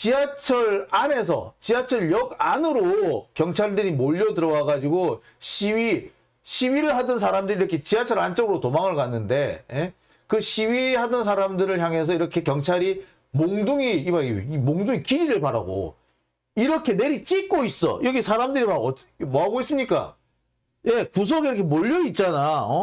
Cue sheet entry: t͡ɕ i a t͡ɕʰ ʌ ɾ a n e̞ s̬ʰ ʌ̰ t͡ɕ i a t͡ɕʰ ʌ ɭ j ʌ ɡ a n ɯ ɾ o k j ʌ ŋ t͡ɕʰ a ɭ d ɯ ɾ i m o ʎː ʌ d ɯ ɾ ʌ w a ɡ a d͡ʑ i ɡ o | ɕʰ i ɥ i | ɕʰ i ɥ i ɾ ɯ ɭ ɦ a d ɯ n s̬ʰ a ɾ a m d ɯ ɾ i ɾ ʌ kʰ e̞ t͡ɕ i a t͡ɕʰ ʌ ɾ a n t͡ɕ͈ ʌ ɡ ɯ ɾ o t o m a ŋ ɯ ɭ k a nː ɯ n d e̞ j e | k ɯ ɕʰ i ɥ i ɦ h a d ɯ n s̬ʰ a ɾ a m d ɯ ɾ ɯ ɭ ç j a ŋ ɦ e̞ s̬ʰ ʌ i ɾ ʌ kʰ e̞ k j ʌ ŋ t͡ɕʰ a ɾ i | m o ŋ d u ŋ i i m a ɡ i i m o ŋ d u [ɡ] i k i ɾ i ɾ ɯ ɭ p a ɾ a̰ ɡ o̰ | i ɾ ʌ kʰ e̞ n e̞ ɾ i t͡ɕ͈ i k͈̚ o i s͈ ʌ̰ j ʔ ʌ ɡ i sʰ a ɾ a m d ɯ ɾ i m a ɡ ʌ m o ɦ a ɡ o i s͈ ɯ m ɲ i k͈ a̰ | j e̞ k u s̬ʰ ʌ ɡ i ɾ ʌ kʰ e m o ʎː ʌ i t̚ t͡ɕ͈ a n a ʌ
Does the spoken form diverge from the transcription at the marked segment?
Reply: yes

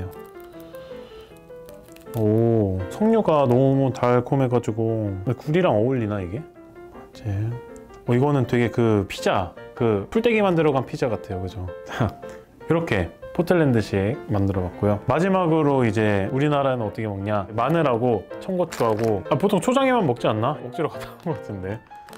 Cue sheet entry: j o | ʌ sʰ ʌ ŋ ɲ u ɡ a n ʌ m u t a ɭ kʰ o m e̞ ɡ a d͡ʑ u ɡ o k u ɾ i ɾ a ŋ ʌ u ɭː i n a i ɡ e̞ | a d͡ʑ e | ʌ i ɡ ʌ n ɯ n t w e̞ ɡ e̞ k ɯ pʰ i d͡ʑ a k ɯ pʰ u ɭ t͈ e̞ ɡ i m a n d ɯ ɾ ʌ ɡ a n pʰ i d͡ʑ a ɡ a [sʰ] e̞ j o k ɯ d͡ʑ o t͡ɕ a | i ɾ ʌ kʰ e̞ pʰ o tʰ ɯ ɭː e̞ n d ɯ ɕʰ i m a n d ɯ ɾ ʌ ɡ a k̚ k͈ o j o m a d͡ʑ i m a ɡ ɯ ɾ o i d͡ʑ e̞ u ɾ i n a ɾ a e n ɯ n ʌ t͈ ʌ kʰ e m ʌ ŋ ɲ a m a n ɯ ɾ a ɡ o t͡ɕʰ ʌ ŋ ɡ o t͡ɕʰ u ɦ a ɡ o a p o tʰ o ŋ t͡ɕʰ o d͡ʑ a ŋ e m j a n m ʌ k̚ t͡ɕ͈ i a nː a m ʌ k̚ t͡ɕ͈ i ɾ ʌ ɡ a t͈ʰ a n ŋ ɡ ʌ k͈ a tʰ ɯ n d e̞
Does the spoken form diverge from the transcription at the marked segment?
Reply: yes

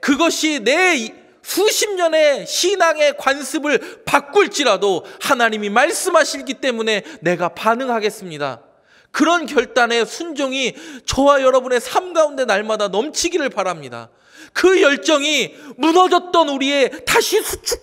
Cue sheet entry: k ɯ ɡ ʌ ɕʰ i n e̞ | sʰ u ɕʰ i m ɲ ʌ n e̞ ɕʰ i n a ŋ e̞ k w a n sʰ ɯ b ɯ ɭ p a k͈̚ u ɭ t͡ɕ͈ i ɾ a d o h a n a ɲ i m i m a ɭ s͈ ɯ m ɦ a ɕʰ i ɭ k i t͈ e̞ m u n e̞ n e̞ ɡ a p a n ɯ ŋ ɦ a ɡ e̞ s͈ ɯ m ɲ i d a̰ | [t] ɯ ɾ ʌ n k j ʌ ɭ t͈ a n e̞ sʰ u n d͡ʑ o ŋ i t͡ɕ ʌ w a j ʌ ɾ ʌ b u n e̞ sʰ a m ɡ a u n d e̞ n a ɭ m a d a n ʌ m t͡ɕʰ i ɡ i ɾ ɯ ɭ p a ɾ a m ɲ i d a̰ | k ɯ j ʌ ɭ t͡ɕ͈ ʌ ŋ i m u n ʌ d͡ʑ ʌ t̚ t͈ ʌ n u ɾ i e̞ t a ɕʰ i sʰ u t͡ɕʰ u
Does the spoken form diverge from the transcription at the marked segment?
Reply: yes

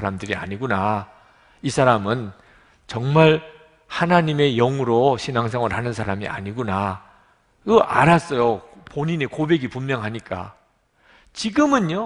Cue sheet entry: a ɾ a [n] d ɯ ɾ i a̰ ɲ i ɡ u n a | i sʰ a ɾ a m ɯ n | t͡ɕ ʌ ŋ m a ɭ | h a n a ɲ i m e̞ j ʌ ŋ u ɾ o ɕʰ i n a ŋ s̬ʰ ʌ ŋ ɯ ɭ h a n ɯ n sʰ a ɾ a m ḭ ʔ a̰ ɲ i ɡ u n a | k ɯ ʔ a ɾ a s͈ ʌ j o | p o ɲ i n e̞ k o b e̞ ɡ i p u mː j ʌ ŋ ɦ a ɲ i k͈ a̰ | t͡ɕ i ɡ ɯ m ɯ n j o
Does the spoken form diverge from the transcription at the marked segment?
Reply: yes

